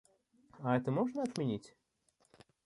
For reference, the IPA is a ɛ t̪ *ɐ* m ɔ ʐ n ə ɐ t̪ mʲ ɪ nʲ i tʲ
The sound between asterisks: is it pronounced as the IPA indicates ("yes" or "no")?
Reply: no